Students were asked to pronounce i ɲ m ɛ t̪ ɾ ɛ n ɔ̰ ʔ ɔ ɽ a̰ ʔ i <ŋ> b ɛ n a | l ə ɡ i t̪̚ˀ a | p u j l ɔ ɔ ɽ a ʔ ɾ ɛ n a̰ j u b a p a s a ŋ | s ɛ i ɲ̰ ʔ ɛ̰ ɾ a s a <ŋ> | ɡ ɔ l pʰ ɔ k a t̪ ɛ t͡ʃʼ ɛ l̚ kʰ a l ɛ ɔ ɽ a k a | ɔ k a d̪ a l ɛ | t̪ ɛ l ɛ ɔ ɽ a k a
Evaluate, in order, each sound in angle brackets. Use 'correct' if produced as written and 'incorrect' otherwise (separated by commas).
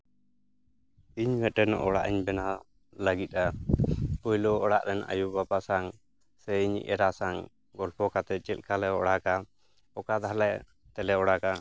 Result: incorrect, correct